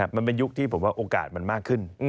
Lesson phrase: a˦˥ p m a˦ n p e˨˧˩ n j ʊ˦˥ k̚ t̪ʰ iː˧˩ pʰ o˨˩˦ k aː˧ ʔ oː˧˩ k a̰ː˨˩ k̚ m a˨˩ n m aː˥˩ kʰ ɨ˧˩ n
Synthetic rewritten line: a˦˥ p m a˨ n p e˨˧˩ n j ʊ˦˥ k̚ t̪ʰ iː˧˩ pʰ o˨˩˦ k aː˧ ʔ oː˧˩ k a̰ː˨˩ t̚ m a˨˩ n m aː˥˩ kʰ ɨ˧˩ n